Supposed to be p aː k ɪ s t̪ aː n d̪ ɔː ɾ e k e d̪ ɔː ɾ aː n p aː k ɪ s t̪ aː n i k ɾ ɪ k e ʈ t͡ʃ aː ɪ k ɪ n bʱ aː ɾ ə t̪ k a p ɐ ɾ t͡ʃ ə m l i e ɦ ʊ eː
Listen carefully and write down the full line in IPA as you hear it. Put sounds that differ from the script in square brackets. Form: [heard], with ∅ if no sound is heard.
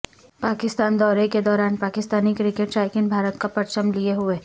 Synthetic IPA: p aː k ɪ s t̪ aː n d̪ ɔː ɾ e k e d̪ ɔː ɾ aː n p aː k ɪ s t̪ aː n i k ɾ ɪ k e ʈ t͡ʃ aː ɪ k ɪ n bʱ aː ɾ ə t̪ k a p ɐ ɾ t͡ʃ ə m l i e ɦ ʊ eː

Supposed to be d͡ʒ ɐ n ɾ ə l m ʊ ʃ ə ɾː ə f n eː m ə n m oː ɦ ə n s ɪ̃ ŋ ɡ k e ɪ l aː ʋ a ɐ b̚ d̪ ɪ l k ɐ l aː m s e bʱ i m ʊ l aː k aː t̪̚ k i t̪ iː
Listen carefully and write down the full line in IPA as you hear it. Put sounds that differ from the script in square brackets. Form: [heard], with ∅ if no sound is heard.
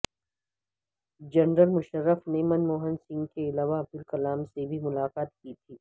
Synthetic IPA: d͡ʒ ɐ n ɾ ə l m ʊ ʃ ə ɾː ə f n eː m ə n m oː ɦ ə n s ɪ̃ ŋ ɡ k e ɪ l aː ʋ a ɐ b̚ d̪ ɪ l k ɐ l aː m s e bʱ i m ʊ l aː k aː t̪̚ k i [t̪ʰ] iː

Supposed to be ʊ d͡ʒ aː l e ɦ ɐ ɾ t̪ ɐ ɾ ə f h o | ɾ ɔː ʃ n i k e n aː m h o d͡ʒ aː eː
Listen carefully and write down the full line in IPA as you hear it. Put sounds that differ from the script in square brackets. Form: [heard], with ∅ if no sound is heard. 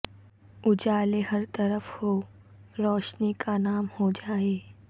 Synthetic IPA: ʊ d͡ʒ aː l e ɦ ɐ ɾ t̪ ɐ ɾ ə f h o | ɾ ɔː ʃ n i k [a] n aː m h o d͡ʒ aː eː

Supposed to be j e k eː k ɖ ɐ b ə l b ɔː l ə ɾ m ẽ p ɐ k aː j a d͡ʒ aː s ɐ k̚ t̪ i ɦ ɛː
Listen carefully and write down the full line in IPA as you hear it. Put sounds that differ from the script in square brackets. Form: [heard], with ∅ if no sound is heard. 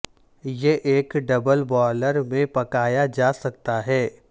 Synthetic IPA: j e [ʔ] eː k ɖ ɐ b ə l b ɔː l ə ɾ m ẽ p ɐ k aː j a d͡ʒ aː s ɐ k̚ t̪ [a] ɦ ɛː

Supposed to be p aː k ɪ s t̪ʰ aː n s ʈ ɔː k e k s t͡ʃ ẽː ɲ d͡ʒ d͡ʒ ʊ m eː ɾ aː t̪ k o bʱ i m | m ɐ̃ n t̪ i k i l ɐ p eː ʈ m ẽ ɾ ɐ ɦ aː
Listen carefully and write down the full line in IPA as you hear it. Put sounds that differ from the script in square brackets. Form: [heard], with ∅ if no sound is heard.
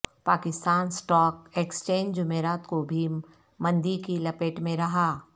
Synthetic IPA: p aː k ɪ s [t̪] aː n s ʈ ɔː k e k s t͡ʃ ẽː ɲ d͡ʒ d͡ʒ ʊ m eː ɾ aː t̪ k o bʱ i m | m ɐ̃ n [d̪] i k i l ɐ p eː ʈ m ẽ ɾ ɐ ɦ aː

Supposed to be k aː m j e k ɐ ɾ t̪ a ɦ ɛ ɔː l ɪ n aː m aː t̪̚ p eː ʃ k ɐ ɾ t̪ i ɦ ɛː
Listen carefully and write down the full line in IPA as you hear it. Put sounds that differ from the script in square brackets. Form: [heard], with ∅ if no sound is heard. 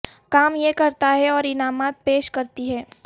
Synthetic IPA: k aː m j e k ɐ ɾ t̪ a ɦ ɛ ɔː [ɾ] ɪ n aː m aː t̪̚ p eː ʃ k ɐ ɾ t̪ i ɦ ɛː

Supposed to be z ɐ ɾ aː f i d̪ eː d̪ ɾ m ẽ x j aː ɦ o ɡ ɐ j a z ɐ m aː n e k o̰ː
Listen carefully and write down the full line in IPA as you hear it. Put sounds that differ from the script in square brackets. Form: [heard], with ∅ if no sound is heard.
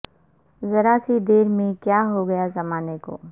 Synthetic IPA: z ɐ ɾ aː [s] i d̪ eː [∅] ɾ m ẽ [k] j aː ɦ o ɡ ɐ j a z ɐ m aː n e k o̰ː

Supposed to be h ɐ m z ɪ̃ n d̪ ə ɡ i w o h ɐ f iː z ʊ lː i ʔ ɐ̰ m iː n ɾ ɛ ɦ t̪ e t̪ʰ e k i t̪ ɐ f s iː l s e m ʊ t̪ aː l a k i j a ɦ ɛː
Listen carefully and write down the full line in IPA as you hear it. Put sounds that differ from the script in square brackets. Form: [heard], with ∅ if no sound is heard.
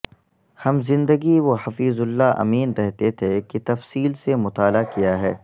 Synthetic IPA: h ɐ m z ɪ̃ n d̪ ə ɡ i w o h ɐ f iː z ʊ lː [a] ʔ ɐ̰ m iː n ɾ ɛ ɦ t̪ e t̪ʰ e k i t̪ ɐ f s iː l s e m ʊ t̪ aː l a k i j a ɦ ɛː

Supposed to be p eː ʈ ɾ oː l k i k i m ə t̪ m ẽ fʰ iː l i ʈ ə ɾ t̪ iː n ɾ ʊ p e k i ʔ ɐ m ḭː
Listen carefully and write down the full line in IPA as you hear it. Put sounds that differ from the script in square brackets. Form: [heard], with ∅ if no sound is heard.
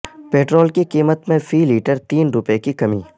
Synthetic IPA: p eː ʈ ɾ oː l k i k [iː] m ə t̪ m ẽ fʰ iː l [iː] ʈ ə ɾ t̪ iː n ɾ ʊ p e k i [k] ɐ m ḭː

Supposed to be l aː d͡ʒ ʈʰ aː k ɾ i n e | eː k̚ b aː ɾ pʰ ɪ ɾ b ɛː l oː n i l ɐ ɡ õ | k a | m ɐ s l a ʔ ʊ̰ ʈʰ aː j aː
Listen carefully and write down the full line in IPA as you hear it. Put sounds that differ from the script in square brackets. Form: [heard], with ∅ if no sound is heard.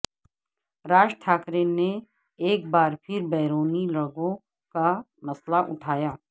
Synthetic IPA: [ɾ] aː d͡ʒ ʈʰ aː k ɾ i n e | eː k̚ b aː ɾ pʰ ɪ ɾ b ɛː [ɾ] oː n i l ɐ ɡ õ | k a | m ɐ s l a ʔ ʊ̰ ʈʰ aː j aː

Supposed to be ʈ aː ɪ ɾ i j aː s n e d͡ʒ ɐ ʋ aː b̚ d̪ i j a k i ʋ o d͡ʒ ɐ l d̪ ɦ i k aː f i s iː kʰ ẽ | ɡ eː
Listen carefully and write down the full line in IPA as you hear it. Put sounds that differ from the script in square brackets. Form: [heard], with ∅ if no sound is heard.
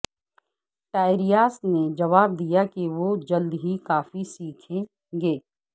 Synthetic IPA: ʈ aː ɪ ɾ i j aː s n e d͡ʒ ɐ ʋ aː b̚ d̪ i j a k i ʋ o d͡ʒ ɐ l d̪ ɦ i k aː f i s iː kʰ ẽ | ɡ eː

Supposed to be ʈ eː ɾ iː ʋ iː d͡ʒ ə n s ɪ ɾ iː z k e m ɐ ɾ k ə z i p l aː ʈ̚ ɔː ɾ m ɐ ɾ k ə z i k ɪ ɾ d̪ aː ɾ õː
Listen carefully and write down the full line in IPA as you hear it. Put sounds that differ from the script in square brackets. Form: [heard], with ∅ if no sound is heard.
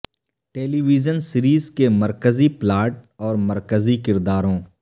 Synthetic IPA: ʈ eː [l] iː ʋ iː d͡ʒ ə n s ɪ ɾ iː z k e m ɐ ɾ k ə z i p l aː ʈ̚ ɔː ɾ m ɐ ɾ k ə z i k ɪ ɾ d̪ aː ɾ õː

